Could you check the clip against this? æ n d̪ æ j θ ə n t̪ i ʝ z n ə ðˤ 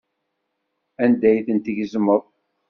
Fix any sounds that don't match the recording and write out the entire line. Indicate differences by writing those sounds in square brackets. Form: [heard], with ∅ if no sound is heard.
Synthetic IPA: æ n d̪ æ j θ ə n t̪ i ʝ z [m] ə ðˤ